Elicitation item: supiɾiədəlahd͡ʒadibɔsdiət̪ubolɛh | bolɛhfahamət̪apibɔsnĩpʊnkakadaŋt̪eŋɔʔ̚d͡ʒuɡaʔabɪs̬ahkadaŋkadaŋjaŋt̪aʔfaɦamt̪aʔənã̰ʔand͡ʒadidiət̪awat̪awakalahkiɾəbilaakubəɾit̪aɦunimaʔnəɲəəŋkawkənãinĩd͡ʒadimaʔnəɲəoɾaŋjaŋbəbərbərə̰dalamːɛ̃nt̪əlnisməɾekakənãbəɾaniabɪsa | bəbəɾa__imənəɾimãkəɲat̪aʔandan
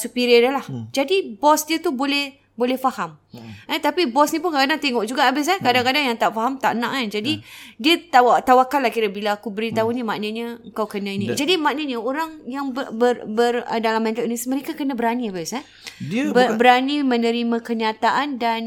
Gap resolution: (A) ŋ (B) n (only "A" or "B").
B